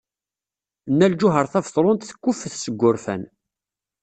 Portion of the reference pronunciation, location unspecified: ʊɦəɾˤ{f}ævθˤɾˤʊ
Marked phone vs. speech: incorrect: θ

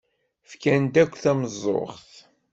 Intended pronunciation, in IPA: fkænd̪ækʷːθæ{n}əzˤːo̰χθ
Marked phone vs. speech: incorrect: m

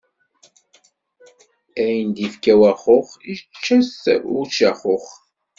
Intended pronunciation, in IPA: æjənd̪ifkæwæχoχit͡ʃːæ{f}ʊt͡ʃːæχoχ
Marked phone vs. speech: incorrect: s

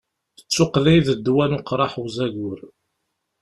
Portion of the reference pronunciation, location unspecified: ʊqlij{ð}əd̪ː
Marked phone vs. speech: correct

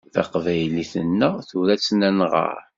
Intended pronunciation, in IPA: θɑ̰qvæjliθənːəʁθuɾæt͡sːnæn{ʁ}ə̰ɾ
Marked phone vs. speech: correct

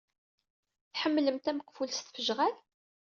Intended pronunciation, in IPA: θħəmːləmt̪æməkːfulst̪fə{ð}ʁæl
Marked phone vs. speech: incorrect: ʒ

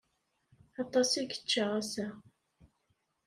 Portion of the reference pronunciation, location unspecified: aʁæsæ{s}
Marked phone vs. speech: incorrect: none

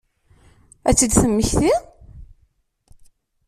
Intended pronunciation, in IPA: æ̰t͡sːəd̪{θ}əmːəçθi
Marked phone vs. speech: correct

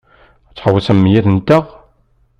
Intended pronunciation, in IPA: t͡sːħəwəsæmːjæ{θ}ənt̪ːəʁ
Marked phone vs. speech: correct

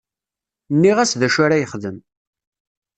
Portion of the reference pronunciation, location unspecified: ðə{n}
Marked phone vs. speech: incorrect: m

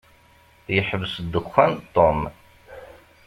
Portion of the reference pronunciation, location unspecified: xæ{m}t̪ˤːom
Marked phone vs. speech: incorrect: n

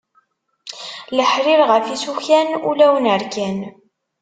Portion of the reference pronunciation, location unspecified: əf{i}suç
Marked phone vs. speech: correct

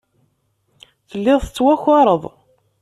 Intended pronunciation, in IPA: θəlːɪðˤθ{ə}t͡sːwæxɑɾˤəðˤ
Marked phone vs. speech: correct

